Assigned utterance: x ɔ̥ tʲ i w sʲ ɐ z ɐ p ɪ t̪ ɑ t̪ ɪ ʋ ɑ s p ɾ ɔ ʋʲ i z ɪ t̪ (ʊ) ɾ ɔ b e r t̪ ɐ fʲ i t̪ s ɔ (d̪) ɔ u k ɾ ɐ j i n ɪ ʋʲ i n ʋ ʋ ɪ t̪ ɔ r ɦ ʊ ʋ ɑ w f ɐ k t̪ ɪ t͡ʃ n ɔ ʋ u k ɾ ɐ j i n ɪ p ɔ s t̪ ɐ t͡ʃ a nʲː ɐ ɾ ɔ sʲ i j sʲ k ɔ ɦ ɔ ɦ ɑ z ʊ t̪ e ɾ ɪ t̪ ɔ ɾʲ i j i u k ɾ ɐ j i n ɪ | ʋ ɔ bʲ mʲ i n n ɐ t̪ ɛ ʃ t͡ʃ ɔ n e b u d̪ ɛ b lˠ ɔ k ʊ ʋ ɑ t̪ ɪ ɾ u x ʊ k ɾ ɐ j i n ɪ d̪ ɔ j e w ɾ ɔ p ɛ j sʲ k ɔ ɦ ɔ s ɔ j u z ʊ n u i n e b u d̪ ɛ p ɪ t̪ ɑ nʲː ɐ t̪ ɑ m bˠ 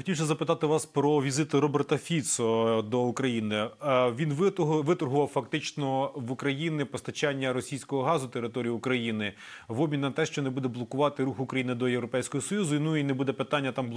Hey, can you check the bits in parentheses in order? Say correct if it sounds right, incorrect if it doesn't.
correct, correct

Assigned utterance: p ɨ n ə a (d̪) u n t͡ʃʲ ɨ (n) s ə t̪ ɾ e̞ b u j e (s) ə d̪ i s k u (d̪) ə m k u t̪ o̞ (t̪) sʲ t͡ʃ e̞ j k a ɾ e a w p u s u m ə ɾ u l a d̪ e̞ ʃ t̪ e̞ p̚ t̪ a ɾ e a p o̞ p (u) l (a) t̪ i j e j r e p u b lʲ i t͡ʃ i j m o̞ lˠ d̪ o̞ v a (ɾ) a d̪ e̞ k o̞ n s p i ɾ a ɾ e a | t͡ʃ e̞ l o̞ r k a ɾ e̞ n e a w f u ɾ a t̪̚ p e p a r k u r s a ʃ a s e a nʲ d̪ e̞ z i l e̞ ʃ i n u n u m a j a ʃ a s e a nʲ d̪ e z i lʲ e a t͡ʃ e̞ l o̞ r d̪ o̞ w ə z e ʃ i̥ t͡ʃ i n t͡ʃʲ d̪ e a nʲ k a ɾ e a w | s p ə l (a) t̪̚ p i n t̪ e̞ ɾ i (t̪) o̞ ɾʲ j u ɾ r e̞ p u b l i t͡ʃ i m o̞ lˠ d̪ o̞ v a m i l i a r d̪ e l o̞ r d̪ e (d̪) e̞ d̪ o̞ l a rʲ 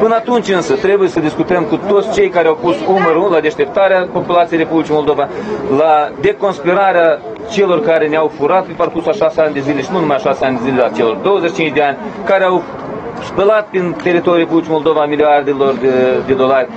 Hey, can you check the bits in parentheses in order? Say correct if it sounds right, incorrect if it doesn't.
incorrect: t̪, correct, correct, incorrect: t̪, correct, correct, correct, incorrect: l, correct, correct, correct

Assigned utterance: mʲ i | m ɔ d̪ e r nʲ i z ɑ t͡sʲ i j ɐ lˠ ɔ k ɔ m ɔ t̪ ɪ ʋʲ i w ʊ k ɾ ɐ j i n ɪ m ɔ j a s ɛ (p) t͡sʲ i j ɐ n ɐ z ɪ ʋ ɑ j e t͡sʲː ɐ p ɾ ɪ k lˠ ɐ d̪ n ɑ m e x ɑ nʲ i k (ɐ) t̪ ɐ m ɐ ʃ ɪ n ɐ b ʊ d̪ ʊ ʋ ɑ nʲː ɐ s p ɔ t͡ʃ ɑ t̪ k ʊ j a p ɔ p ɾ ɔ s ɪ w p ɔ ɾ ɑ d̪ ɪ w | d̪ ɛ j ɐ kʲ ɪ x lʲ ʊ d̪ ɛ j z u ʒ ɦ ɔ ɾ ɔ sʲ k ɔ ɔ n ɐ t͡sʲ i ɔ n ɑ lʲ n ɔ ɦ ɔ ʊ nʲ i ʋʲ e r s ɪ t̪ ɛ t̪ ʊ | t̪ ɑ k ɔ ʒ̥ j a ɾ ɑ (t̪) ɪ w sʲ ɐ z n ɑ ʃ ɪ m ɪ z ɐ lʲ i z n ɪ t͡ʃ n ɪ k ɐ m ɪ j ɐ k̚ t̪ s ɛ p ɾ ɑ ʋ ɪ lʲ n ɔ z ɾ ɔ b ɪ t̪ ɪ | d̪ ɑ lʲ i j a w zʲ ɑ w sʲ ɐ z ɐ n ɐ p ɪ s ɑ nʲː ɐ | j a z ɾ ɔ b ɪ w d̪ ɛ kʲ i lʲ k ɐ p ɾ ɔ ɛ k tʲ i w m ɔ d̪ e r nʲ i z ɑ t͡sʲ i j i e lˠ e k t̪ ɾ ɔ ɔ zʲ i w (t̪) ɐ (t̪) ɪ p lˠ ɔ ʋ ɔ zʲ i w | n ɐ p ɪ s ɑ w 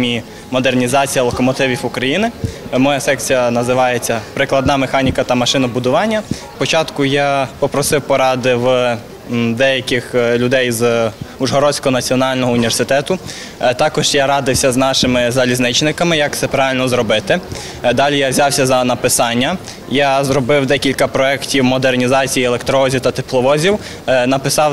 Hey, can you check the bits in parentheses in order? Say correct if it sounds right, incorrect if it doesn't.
incorrect: k, correct, incorrect: d̪, correct, correct

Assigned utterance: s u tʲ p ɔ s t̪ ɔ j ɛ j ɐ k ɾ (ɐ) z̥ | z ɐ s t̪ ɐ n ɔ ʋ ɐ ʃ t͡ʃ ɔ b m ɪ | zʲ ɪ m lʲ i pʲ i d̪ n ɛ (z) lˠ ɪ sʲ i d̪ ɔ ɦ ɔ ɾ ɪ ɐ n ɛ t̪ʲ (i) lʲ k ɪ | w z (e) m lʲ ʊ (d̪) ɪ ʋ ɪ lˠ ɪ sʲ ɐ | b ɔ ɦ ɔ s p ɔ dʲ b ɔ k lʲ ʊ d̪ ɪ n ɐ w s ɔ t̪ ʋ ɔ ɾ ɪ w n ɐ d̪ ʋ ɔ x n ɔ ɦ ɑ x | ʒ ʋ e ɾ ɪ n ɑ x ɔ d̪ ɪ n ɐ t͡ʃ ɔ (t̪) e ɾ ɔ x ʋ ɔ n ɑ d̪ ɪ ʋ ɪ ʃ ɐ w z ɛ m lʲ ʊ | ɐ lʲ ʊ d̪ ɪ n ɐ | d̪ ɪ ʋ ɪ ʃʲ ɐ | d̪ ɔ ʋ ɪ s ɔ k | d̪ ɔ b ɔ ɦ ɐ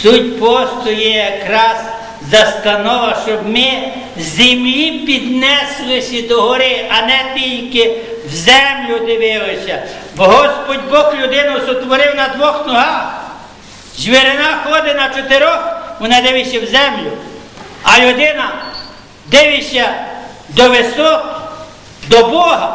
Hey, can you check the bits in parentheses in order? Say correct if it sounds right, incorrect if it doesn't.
incorrect: ɑ, incorrect: s, correct, incorrect: ɛ, correct, correct

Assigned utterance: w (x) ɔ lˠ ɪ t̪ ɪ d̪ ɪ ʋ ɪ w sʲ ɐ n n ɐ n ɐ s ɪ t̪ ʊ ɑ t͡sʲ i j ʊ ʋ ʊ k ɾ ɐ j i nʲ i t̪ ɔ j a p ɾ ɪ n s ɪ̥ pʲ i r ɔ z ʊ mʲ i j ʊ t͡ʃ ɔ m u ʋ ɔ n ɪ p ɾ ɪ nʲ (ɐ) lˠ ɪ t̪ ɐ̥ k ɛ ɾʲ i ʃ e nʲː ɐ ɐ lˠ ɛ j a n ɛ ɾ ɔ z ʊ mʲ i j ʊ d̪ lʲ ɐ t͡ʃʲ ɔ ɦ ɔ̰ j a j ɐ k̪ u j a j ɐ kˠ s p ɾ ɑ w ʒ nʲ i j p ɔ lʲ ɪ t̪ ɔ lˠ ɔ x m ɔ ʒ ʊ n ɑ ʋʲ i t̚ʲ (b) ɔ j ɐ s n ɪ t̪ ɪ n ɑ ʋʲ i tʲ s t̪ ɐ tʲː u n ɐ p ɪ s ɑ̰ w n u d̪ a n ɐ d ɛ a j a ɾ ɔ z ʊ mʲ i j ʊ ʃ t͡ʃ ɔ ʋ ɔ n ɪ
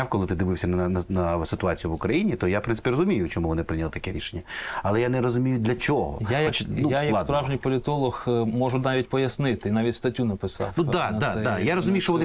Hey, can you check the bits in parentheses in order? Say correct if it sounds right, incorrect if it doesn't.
incorrect: k, correct, incorrect: p

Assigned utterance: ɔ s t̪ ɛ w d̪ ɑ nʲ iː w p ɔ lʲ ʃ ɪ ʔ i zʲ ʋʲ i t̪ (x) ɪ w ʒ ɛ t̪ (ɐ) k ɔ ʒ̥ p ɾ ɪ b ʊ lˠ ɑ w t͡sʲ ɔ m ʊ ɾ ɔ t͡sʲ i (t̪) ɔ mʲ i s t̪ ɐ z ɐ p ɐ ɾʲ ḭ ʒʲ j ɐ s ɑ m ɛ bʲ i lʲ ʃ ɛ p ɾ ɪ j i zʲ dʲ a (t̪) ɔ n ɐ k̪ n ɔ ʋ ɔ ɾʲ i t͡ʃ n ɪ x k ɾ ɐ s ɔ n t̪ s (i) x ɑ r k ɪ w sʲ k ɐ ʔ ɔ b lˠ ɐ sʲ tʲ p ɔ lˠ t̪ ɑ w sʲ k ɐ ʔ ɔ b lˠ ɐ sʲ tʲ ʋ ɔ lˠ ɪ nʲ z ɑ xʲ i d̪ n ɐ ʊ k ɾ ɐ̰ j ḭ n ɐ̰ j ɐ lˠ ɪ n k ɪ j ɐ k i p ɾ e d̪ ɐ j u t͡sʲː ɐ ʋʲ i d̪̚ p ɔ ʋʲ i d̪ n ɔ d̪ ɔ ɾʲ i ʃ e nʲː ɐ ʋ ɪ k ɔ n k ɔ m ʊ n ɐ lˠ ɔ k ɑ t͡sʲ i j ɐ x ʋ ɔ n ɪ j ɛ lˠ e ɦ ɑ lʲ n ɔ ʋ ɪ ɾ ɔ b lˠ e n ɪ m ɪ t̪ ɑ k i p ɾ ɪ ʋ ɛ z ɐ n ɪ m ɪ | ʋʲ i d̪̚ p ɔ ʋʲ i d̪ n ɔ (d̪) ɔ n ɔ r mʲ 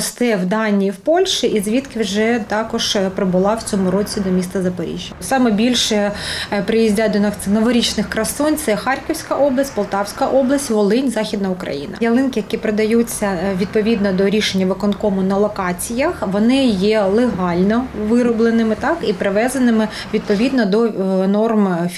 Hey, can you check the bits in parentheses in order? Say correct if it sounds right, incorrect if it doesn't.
incorrect: k, incorrect: ɑ, incorrect: d̪, incorrect: d̪, incorrect: ɛ, correct

